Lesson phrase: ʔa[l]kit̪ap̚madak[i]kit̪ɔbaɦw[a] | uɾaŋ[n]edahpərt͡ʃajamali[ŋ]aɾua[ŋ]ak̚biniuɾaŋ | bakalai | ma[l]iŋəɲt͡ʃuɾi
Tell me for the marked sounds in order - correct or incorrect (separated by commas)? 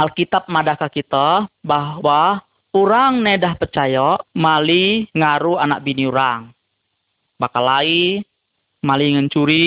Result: correct, incorrect, correct, correct, correct, incorrect, correct